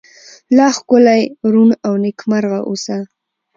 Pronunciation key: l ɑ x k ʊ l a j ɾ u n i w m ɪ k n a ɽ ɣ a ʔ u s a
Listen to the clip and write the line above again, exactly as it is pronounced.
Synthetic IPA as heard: l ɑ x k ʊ l a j ɾ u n a w n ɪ k m a ɾ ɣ a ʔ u s a